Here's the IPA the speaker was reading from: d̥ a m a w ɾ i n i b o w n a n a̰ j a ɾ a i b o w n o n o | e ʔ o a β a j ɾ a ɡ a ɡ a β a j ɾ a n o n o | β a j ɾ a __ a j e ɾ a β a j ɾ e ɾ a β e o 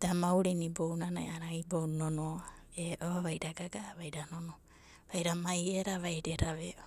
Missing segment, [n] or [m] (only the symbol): m